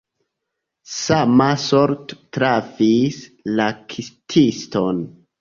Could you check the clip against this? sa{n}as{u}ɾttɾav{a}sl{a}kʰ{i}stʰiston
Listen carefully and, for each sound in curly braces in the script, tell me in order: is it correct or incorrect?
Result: incorrect: m, incorrect: o, incorrect: i, correct, correct

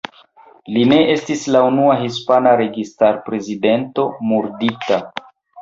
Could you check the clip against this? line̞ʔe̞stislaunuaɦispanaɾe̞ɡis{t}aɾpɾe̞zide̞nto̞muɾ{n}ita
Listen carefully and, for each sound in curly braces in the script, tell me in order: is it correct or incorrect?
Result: correct, incorrect: d

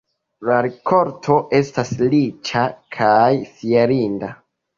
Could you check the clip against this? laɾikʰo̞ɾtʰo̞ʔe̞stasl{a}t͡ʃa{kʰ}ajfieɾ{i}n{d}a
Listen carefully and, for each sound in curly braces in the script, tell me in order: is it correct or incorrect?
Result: incorrect: i, correct, correct, correct

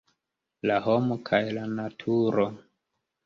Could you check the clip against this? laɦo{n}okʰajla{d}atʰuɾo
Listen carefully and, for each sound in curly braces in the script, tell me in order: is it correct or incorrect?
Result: incorrect: m, incorrect: n

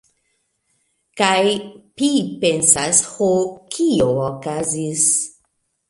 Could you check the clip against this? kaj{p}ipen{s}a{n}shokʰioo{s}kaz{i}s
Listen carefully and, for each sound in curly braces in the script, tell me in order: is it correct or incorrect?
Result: correct, correct, incorrect: none, incorrect: none, correct

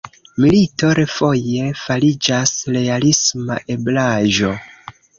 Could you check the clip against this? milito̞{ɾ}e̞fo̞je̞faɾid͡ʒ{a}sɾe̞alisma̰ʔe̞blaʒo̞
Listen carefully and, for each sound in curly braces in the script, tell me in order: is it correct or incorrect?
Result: correct, correct

